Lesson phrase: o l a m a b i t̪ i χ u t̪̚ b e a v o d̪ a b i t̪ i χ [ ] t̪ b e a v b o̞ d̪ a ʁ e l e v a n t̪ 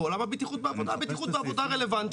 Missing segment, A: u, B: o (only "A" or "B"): A